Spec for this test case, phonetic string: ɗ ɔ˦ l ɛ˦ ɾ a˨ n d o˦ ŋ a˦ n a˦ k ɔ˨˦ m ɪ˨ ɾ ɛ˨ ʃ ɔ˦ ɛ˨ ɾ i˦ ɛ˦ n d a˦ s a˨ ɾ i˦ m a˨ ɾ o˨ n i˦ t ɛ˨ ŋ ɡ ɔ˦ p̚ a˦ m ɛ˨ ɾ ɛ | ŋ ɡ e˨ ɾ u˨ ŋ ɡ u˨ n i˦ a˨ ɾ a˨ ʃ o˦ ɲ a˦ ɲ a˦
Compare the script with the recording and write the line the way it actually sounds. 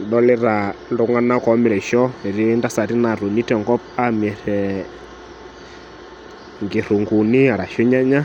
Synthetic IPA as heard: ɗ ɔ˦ l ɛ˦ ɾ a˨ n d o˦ ŋ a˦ n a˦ k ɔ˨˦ m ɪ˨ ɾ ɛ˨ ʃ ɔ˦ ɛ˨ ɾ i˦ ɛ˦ n d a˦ s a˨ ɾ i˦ n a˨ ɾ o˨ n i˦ t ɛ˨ ŋ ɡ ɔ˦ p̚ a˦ m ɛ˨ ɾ ɛ | ŋ ɡ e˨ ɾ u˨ ŋ ɡ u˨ n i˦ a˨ ɾ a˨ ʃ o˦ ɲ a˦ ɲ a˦